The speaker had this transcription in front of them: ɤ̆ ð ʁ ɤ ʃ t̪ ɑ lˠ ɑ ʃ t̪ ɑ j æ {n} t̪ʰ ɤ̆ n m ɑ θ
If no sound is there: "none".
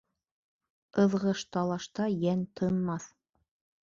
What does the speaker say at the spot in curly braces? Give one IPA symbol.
n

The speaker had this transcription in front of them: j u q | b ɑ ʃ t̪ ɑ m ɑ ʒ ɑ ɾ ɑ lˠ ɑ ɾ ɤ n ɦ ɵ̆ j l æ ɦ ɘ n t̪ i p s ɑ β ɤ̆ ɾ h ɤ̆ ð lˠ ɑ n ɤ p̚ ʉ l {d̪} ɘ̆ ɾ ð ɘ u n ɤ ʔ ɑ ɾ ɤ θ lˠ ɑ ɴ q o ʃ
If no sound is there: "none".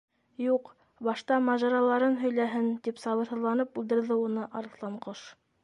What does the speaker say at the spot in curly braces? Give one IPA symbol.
d̪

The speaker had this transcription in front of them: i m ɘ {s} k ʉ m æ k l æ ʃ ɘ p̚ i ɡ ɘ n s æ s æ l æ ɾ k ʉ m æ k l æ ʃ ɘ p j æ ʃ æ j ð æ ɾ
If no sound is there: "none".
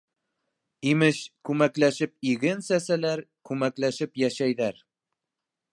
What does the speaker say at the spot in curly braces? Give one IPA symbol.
ʃ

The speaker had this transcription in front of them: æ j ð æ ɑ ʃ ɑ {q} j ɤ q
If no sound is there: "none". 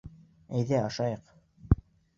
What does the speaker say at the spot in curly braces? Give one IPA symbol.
none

